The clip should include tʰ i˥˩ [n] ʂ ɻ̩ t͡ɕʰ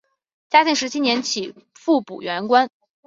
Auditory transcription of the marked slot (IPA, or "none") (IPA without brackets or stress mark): ŋ